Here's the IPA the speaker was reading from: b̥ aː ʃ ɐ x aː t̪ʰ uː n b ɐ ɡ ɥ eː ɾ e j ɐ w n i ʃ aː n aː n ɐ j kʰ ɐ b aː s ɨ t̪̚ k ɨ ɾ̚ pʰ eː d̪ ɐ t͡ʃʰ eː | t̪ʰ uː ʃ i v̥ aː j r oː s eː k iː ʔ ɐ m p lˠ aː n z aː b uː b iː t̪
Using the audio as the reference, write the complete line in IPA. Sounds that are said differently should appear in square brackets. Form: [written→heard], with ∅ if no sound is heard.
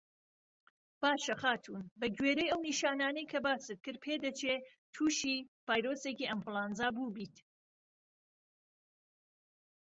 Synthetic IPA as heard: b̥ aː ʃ ɐ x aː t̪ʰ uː n b ɐ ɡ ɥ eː ɾ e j ɐ w n i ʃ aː n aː n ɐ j kʰ ɐ b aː s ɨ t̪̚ k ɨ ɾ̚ pʰ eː d̪ ɐ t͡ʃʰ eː | t̪ʰ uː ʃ i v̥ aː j [r→ɾ] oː s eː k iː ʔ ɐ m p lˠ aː n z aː b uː b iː t̪